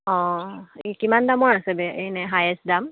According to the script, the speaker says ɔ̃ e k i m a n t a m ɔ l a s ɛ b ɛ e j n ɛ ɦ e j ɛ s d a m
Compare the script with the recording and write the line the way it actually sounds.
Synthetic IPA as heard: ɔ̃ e k i m a n d a m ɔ ɹ a s ɛ b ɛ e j n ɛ ɦ a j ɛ s d a m